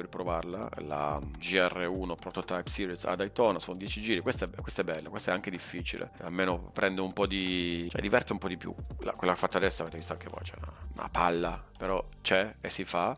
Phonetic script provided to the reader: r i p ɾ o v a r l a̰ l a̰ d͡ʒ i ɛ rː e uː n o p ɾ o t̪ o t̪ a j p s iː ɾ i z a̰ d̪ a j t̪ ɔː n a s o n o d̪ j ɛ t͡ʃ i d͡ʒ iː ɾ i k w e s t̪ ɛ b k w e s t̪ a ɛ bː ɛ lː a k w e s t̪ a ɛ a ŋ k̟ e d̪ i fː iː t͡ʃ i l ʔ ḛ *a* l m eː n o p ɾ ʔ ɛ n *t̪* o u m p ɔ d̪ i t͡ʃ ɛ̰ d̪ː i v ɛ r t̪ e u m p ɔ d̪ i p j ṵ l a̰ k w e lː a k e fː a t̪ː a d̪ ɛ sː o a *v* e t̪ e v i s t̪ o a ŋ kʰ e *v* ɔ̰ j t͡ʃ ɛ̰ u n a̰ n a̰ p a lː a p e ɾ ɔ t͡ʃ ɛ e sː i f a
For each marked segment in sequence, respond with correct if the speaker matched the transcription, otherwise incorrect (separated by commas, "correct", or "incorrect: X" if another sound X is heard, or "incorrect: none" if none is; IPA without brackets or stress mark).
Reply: correct, incorrect: d̪, correct, correct